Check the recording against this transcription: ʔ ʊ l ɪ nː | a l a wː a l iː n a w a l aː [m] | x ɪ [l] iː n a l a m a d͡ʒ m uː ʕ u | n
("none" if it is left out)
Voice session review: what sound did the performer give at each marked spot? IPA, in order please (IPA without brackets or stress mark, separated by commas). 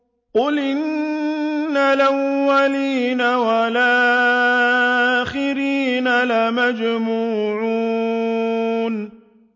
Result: none, ɾ